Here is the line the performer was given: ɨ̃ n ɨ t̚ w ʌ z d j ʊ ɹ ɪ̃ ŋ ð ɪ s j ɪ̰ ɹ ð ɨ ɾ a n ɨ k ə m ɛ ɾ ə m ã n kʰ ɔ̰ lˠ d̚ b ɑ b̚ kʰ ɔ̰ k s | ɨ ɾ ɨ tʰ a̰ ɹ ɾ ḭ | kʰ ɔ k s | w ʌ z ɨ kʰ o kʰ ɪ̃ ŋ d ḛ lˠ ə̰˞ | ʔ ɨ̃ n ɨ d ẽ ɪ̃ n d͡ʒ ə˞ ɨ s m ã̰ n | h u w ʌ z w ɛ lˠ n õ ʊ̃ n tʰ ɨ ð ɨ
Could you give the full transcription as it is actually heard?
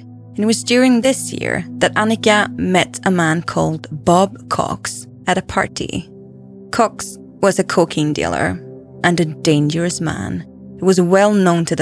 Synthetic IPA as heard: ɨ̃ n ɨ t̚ w ʌ z d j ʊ ɹ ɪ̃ ŋ ð ɪ s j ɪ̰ ɹ ð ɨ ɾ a n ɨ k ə m ɛ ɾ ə m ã n kʰ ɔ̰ lˠ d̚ b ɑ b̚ kʰ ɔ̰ k s | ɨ ɾ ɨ pʰ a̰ ɹ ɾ ḭ | kʰ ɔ k s | w ʌ z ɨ kʰ o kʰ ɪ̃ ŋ d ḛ lˠ ə̰˞ | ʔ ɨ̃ n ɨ d ẽ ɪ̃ n d͡ʒ ə˞ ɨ s m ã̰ n | h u w ʌ z w ɛ lˠ n õ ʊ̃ n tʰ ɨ ð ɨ